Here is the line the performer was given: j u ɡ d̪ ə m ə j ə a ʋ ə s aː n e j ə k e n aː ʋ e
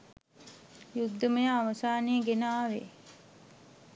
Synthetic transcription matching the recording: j u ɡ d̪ ə m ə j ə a ʋ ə s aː n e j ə ɡ e n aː ʋ e